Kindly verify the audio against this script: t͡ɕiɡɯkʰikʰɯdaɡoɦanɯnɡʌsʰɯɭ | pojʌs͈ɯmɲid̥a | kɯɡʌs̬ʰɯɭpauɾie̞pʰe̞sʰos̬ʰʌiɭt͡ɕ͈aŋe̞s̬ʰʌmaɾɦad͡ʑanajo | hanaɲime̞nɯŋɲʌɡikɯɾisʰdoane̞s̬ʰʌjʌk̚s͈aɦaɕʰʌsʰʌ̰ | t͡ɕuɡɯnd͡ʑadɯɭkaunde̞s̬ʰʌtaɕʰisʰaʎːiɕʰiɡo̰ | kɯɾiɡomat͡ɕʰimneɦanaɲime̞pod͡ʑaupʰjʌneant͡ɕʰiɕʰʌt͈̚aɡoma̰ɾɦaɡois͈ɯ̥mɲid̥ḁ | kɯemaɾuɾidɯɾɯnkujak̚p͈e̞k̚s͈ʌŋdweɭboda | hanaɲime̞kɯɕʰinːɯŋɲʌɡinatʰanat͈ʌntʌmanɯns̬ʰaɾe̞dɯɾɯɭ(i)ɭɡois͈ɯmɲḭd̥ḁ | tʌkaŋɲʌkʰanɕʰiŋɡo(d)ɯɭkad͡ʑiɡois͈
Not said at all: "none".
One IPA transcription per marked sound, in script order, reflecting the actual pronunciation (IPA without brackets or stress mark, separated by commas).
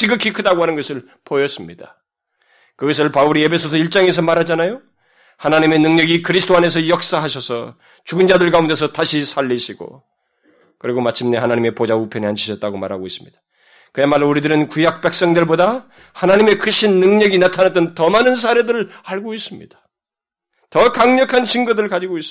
a, d